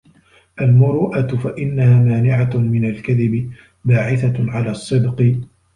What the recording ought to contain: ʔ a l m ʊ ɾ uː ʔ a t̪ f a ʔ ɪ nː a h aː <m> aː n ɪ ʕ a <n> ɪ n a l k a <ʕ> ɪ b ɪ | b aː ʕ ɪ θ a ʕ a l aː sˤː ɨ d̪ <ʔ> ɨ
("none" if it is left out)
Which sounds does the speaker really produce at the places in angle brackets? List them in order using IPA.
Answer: m, m, ð, q

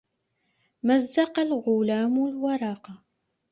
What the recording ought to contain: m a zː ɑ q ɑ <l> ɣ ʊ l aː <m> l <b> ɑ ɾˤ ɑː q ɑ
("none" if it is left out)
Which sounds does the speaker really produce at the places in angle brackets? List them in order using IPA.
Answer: l, m, w

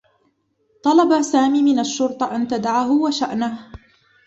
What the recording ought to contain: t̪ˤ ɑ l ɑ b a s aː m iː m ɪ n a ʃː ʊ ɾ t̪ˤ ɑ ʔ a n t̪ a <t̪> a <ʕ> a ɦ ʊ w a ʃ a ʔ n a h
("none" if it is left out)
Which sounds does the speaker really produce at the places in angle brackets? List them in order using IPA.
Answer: d̪, ʕ

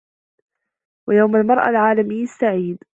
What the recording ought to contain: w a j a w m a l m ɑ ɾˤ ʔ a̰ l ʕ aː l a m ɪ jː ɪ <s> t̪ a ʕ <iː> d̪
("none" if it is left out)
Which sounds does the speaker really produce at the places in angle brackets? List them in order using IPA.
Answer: s, iː

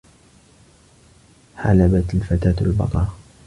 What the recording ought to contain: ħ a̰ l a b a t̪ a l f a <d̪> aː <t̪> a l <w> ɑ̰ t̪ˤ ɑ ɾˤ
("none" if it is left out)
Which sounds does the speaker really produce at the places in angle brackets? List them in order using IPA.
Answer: t̪, t̪, b

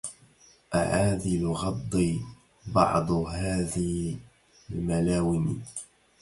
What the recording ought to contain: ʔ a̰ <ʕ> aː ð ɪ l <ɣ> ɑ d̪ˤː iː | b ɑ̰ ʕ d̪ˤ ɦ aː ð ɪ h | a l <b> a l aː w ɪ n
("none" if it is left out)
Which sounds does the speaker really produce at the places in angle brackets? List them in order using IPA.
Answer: ʕ, ɣ, m

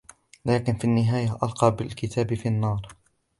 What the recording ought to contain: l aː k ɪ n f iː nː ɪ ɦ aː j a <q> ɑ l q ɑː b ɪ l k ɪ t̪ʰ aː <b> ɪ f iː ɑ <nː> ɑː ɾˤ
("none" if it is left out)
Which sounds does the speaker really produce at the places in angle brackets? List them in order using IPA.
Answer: ʔ, b, nː

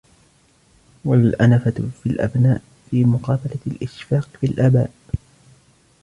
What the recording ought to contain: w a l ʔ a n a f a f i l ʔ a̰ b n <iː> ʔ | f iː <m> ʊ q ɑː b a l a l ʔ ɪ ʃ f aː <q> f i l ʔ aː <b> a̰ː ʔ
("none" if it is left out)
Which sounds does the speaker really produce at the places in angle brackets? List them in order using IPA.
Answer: aː, m, q, b

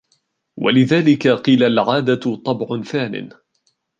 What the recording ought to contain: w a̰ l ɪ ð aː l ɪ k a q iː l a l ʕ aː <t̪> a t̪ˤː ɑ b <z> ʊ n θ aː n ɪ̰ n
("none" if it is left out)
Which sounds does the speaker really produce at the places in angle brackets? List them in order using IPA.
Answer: d̪, ʕ

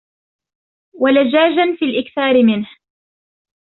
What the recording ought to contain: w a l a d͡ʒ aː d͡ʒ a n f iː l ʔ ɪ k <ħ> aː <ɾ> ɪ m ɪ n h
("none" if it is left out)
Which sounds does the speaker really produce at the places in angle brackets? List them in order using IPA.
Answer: θ, ɾ

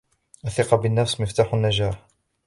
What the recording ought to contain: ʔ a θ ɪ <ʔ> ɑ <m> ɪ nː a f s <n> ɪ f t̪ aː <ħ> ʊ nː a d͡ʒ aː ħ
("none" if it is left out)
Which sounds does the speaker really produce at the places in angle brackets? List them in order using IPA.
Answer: q, b, m, ħ

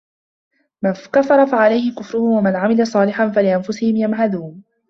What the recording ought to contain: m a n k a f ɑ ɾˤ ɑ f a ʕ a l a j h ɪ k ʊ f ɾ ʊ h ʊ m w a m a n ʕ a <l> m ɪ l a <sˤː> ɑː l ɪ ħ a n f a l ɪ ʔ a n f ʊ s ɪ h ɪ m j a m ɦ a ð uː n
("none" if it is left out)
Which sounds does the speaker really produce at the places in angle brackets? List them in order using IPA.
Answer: none, sˤ

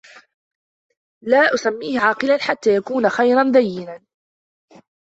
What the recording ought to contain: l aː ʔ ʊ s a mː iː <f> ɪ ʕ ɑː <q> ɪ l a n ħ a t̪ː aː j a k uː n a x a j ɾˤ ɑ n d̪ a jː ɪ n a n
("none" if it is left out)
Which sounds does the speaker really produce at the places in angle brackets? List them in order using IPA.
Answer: h, q

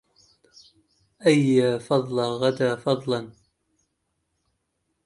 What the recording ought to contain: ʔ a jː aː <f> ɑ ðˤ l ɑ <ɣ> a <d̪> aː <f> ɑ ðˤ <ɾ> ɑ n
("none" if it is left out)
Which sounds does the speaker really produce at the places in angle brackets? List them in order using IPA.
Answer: f, ɣ, d̪, f, l

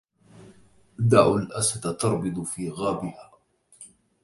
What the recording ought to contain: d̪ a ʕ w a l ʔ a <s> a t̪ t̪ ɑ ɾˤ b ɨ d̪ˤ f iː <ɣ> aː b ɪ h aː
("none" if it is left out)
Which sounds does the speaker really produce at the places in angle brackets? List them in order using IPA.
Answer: s, ɣ

